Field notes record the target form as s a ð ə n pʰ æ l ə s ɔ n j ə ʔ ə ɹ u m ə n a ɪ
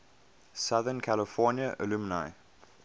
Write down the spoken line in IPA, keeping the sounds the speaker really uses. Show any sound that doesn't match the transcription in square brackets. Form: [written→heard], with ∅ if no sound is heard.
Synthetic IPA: s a ð ə n [pʰ→kʰ] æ l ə [s→f] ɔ n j ə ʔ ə [ɹ→l] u m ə n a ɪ